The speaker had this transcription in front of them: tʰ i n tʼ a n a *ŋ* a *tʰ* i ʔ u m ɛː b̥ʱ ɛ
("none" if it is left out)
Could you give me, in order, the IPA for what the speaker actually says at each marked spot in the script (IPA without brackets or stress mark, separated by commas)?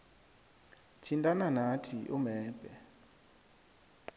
n, tʰ